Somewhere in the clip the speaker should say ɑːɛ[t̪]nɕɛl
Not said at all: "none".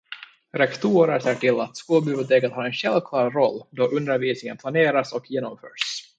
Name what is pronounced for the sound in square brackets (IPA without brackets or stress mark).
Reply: none